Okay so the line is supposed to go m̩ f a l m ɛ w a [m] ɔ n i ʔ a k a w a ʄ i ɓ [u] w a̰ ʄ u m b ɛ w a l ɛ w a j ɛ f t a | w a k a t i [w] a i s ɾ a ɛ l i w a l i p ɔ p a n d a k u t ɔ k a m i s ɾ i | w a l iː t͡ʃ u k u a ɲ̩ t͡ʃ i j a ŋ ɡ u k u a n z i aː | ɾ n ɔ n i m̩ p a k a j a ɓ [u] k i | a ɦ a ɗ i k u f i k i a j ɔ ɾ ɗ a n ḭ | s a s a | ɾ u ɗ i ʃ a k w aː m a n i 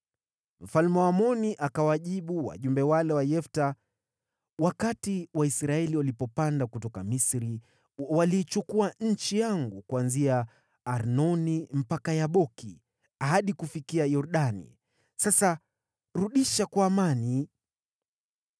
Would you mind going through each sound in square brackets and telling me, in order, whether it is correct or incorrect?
correct, correct, correct, incorrect

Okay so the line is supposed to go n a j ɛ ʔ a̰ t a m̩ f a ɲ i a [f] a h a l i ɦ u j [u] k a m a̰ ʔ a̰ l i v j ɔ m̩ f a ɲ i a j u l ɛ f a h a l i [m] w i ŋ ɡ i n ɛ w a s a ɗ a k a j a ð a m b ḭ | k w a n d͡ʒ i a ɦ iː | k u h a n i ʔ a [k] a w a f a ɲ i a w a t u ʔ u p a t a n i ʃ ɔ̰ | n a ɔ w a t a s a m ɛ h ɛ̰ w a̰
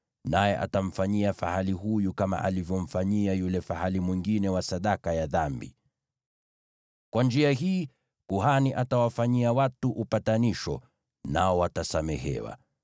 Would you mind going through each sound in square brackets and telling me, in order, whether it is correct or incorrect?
correct, correct, correct, incorrect

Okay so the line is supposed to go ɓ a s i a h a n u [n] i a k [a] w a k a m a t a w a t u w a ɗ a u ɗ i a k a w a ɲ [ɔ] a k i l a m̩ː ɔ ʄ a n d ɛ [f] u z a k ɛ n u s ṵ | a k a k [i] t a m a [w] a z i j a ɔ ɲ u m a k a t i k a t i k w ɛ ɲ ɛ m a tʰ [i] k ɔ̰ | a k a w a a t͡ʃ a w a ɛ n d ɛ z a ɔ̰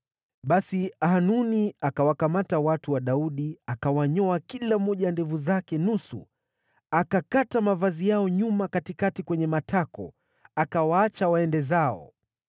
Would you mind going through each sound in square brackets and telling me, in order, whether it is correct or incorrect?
correct, correct, correct, incorrect, incorrect, incorrect, incorrect

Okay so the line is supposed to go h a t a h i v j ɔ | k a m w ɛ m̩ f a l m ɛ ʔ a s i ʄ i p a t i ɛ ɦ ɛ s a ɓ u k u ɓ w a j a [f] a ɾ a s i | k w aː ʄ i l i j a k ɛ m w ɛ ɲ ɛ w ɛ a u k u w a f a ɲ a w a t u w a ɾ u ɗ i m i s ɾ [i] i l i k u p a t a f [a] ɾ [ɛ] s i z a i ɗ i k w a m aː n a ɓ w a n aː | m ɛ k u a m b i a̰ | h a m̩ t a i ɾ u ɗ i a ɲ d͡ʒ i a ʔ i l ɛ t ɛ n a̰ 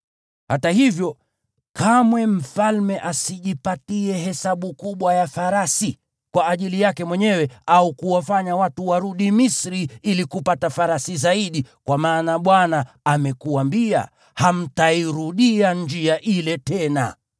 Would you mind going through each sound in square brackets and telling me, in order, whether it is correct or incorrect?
correct, correct, correct, incorrect

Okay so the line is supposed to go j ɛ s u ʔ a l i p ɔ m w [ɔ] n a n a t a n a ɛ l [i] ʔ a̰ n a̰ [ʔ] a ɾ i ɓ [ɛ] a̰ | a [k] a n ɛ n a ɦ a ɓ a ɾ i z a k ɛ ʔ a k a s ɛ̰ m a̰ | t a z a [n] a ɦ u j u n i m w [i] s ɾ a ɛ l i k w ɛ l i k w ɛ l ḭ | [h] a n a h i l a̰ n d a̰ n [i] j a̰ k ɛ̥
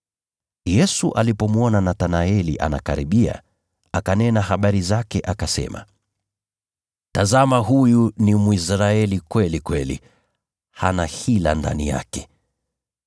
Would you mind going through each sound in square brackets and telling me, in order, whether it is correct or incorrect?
correct, correct, incorrect, incorrect, correct, incorrect, correct, correct, correct

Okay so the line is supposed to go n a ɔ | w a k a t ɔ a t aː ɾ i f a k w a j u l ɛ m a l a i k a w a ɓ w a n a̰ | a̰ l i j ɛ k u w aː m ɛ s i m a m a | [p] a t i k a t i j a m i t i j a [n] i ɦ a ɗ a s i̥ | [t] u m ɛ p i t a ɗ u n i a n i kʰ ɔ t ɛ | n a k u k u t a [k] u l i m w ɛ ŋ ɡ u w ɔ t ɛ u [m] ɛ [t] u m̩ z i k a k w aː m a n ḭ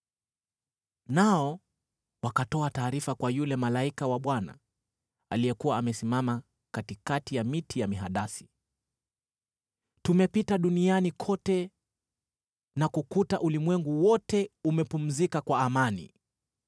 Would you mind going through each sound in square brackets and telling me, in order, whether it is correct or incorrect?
incorrect, incorrect, correct, incorrect, correct, incorrect

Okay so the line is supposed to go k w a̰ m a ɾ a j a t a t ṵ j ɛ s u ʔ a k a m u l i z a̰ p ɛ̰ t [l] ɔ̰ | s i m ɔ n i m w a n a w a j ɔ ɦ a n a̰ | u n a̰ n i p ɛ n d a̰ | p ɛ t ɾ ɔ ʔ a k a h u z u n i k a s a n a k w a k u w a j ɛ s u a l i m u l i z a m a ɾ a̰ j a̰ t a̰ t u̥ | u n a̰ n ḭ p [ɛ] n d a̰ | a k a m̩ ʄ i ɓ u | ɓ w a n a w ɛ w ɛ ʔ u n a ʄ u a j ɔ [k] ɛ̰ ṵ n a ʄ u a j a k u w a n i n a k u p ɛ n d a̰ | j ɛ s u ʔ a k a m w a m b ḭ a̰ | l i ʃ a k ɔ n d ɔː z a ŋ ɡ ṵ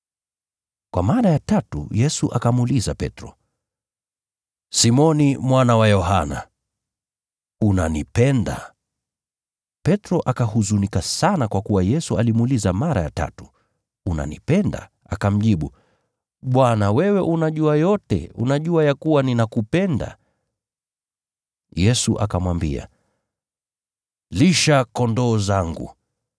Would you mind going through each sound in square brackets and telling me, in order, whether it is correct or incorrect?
incorrect, correct, incorrect

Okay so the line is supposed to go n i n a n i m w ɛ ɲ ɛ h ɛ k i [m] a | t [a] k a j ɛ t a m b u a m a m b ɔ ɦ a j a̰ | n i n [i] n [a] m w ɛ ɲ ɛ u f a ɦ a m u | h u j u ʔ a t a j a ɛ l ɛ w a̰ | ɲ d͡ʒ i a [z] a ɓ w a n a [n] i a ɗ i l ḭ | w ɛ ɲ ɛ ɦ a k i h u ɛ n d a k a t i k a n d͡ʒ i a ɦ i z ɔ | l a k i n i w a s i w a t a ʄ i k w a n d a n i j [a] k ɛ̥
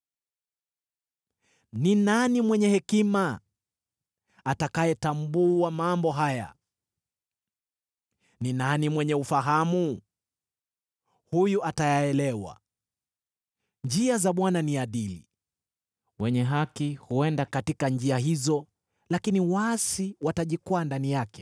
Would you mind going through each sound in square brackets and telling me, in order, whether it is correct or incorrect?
correct, correct, incorrect, incorrect, correct, correct, correct

